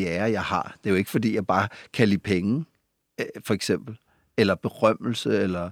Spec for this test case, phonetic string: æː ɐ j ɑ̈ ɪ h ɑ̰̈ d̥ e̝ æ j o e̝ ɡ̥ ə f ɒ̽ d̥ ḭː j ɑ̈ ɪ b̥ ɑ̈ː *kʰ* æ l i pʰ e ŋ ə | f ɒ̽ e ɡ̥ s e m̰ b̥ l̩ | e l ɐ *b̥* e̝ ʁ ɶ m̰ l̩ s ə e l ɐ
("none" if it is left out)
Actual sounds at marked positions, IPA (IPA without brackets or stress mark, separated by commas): kʰ, b̥